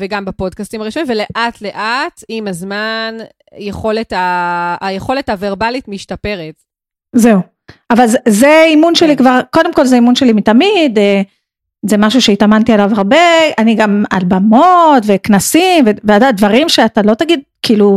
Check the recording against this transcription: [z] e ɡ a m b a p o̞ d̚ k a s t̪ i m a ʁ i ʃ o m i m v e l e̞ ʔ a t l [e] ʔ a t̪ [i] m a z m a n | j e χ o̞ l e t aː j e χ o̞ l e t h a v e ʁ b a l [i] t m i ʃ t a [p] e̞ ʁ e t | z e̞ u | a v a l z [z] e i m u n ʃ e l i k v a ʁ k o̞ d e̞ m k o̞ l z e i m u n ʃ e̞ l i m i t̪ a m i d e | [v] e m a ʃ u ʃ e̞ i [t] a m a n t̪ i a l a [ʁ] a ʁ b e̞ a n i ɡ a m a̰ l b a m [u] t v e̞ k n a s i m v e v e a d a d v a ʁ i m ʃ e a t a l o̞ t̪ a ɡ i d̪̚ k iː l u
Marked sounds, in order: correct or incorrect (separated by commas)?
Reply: incorrect, correct, correct, correct, correct, correct, incorrect, correct, incorrect, incorrect